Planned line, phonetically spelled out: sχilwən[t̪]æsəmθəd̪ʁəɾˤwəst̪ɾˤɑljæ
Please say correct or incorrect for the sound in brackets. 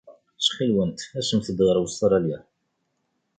correct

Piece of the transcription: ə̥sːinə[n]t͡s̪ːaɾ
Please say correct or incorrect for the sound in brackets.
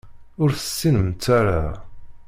incorrect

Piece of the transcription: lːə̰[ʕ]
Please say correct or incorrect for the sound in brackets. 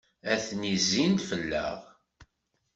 incorrect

